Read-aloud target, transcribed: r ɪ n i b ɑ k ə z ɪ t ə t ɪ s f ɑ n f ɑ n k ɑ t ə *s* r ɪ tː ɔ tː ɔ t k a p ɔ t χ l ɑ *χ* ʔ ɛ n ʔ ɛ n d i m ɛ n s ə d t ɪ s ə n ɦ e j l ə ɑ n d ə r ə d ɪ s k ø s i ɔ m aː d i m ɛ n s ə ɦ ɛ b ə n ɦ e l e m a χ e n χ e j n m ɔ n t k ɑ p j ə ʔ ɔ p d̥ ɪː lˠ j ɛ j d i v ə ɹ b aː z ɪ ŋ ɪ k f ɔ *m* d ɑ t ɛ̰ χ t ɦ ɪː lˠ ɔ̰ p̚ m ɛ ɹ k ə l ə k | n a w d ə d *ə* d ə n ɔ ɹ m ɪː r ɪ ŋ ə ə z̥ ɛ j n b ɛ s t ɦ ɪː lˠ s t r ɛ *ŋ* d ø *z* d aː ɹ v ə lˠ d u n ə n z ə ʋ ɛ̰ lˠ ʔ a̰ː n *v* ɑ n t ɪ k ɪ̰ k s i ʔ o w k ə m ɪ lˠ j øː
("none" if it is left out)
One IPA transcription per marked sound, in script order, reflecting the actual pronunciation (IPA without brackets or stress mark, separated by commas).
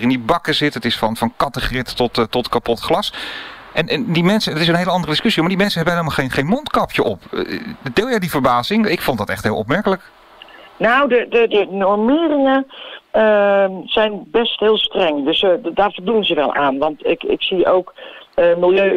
χ, s, n, ə, ŋ, s, ʋ